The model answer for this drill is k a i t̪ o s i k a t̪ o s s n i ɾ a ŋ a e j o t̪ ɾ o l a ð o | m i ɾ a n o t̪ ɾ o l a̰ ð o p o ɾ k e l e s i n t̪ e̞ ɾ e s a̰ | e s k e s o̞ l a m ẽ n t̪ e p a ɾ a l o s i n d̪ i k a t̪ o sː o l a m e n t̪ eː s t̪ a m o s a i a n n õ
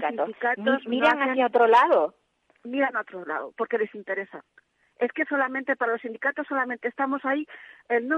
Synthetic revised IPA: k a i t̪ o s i k a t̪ o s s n i ɾ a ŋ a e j o t̪ ɾ o l a ð o | m i ɾ a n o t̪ ɾ o l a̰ ð o p o ɾ k e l e s i n t̪ e̞ ɾ e s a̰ | e s k e s o̞ l a m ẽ n t̪ e p a ɾ a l o s i n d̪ i k a t̪ o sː o l a m e n t̪ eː s t̪ a m o s a i e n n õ